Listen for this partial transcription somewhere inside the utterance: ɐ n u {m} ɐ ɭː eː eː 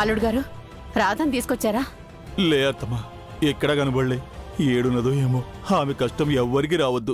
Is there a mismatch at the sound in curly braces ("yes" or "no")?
yes